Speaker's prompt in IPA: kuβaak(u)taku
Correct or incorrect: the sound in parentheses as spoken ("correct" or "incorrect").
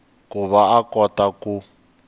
incorrect